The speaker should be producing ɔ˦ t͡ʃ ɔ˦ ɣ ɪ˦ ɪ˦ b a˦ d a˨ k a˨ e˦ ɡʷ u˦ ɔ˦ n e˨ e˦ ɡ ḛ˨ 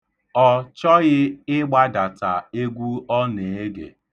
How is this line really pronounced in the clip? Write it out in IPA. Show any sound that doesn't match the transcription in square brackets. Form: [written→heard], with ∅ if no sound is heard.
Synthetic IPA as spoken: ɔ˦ t͡ʃ ɔ˦ ɣ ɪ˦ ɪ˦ [b→ɡ͡b] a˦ d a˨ [k→t] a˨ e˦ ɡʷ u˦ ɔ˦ n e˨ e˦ ɡ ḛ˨